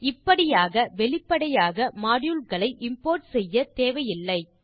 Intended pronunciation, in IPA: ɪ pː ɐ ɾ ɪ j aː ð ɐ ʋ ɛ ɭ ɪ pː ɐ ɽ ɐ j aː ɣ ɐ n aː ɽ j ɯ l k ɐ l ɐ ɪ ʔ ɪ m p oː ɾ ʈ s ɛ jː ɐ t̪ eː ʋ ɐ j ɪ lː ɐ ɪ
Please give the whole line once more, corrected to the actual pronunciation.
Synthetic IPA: ɪ pː ɐ ɽ ɪ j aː ɣ ɐ ʋ ɛ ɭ ɪ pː ɐ ɽ ɐ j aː ɣ ɐ m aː ɽ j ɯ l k ɐ ɭ ɐ ɪ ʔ ɪ m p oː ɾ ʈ s ɛ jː ɐ t̪ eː ʋ ɐ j ɪ lː ɐ ɪ